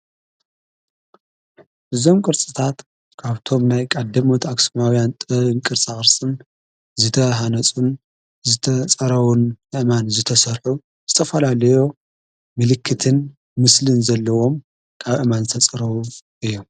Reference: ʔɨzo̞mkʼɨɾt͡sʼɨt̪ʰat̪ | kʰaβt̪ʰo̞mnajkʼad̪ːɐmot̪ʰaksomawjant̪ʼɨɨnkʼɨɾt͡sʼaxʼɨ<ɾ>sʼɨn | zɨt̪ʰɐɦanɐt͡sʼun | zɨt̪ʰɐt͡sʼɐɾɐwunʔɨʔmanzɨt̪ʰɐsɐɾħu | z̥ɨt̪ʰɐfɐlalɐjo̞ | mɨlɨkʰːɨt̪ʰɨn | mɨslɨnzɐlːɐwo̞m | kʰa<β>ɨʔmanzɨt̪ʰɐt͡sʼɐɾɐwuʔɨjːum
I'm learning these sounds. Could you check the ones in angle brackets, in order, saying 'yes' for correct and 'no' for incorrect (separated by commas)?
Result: yes, yes